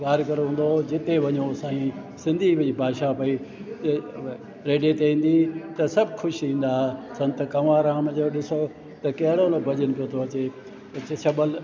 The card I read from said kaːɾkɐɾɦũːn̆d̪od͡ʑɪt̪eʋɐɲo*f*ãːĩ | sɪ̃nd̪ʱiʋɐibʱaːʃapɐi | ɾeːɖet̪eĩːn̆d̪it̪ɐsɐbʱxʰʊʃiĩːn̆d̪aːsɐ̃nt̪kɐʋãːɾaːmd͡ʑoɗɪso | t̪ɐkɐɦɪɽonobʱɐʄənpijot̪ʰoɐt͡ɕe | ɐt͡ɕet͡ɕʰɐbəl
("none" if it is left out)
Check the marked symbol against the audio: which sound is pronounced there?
s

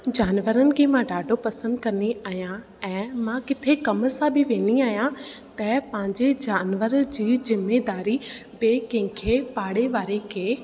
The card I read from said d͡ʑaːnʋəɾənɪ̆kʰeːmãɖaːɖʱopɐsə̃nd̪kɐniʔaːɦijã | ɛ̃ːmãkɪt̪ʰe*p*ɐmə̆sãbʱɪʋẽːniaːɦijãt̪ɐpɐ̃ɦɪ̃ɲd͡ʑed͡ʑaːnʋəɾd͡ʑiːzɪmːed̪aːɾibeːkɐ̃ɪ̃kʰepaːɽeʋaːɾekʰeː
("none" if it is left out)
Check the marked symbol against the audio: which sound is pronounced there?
k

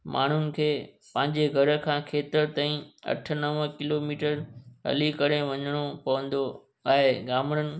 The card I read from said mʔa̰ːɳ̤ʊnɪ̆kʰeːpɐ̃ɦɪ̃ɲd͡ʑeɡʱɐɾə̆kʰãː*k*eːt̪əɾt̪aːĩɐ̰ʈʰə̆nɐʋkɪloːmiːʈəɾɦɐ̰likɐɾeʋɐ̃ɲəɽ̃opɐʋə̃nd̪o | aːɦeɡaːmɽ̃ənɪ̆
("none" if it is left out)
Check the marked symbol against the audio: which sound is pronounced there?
kʰ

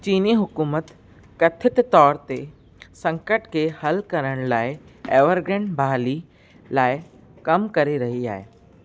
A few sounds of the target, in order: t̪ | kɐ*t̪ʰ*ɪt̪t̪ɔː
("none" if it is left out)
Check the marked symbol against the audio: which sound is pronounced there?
t̪ʰ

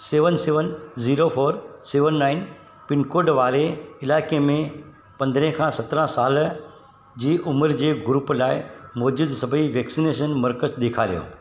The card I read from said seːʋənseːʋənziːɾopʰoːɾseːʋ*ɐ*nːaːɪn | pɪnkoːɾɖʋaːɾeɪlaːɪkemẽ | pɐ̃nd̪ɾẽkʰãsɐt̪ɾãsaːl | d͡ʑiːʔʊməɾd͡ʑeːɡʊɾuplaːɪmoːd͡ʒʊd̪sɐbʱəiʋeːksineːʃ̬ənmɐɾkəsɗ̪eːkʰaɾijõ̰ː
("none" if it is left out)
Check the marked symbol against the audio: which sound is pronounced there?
ə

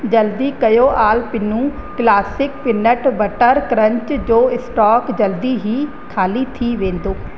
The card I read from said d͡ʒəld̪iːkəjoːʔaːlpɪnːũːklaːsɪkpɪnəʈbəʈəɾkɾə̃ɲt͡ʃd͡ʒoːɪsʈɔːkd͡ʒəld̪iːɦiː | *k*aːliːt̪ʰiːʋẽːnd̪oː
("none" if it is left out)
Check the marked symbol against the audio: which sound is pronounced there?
kʰ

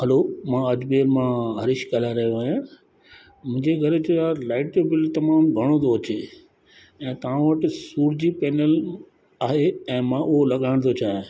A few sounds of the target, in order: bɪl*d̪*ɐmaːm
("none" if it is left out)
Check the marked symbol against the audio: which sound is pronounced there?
t̪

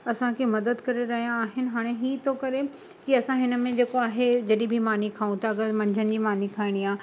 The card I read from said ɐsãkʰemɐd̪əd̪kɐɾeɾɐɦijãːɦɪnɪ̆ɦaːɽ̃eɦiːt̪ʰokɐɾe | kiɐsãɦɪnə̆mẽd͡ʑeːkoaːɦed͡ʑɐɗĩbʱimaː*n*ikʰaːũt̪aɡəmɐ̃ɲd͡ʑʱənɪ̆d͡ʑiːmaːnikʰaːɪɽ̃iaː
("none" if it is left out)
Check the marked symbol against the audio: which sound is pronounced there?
n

